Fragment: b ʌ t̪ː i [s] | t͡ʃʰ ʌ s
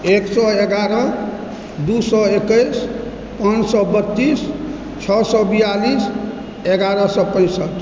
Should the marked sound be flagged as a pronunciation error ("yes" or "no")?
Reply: no